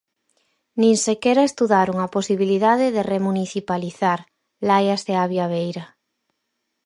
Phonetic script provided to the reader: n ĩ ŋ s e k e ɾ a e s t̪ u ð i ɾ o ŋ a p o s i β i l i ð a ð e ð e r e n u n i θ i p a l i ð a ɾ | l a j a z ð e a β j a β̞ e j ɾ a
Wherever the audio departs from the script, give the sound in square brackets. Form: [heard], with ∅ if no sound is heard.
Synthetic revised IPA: n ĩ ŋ s e k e ɾ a e s t̪ u ð [a] ɾ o ŋ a p o s i β i l i ð a ð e ð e r e [m] u n i θ i p a l i [θ] a ɾ | l a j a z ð e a β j a β̞ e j ɾ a